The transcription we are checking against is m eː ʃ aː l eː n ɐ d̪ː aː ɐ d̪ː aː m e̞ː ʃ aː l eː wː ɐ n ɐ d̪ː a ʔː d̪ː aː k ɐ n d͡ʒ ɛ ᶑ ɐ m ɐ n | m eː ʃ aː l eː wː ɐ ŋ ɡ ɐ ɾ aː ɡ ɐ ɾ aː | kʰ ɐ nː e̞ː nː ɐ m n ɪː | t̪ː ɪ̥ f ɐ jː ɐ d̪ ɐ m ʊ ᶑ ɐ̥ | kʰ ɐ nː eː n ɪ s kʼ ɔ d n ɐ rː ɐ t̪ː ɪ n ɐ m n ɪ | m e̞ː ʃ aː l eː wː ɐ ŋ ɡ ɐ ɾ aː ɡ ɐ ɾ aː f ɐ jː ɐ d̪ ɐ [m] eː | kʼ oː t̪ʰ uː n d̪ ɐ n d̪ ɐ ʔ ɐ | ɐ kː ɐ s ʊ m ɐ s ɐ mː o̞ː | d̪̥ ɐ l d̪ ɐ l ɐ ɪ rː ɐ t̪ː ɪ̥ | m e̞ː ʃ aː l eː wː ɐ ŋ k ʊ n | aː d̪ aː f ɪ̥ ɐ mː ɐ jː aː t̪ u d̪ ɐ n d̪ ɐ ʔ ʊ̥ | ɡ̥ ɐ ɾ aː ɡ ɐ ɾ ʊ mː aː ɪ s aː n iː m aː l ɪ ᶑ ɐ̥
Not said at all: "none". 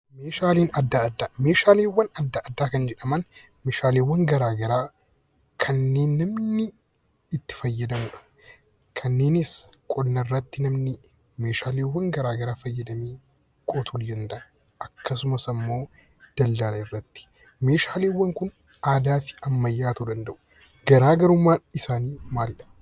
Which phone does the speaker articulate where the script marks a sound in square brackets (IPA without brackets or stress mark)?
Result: m